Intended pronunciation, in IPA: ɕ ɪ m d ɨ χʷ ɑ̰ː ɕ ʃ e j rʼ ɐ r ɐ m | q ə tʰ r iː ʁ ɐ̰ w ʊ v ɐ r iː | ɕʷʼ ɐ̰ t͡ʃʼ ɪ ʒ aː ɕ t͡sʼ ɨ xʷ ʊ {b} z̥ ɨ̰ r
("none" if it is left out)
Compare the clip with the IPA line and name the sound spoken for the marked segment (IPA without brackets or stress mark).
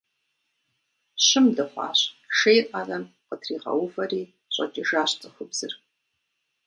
b